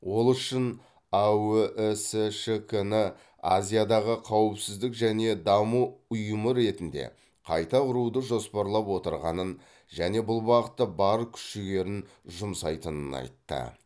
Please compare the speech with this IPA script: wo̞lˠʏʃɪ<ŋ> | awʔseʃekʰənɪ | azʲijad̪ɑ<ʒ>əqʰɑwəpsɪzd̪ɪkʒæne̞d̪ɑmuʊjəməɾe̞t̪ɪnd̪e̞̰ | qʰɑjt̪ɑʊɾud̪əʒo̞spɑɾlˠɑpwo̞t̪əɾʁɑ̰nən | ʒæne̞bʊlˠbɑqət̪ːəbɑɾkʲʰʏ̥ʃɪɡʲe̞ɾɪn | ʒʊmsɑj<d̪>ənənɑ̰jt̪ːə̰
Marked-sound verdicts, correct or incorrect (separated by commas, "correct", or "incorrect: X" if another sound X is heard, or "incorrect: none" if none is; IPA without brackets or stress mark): incorrect: n, incorrect: ʁ, incorrect: t̪